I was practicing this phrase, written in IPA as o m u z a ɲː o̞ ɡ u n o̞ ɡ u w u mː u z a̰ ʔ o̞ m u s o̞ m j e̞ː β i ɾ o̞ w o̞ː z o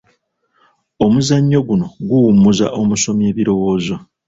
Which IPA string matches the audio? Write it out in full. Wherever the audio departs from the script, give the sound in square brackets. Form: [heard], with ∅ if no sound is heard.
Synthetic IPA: o m u z a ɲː o̞ ɡ u n o̞ ɡ u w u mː u z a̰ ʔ o̞ m u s o̞ m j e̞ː β i ɾ o̞ w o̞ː z o